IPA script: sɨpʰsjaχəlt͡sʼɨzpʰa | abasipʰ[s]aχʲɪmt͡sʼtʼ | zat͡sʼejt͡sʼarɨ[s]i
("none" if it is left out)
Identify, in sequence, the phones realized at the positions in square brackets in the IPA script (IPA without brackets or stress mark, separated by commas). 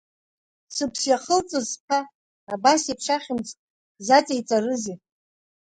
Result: ʂ, z